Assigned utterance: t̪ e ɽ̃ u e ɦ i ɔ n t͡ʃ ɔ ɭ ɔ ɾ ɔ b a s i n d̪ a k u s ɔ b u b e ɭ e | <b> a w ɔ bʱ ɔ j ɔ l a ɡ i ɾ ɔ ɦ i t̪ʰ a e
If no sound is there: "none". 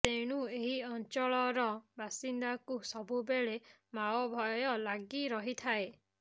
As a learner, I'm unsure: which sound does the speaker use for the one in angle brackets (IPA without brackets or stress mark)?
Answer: m